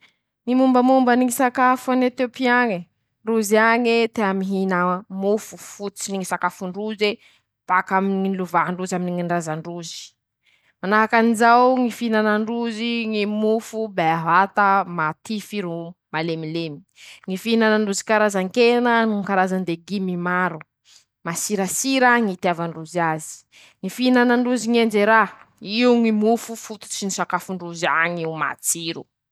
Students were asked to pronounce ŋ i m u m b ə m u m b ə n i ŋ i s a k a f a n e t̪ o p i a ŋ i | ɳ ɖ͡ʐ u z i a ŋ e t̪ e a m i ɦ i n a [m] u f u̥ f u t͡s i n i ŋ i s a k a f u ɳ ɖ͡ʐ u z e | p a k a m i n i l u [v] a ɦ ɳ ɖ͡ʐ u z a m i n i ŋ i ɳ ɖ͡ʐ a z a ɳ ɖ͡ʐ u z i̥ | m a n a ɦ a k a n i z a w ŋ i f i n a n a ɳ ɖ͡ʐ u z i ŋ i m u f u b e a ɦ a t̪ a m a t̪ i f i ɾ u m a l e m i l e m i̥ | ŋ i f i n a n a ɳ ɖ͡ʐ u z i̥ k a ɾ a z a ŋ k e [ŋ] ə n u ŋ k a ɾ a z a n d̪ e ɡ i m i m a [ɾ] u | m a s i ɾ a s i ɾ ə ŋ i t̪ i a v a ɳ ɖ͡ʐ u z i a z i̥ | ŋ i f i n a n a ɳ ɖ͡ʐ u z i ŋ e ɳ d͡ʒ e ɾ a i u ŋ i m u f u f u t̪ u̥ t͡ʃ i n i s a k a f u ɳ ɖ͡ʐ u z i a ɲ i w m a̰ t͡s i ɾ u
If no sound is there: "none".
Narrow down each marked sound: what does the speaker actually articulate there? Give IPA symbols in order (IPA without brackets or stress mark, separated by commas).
m, v, n, ɾ